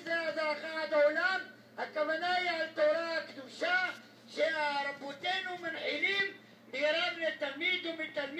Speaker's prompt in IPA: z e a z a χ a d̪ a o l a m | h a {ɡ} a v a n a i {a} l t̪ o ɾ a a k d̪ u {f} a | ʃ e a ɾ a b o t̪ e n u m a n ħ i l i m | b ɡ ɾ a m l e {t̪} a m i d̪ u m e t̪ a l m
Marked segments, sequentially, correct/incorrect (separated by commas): incorrect, correct, incorrect, correct